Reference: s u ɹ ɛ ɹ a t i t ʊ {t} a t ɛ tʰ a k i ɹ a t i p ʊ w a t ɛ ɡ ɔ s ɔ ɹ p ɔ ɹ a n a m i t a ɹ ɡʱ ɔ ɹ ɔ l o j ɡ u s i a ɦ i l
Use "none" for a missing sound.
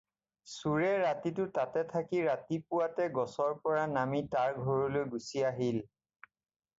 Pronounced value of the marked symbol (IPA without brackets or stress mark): t